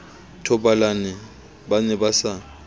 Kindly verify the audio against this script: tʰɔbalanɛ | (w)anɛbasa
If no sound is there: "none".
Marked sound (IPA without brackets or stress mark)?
b